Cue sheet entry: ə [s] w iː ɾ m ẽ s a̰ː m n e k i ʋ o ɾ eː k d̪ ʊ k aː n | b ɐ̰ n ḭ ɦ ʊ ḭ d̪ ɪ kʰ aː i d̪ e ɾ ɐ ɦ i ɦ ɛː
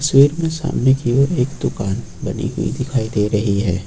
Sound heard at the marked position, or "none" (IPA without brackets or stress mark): s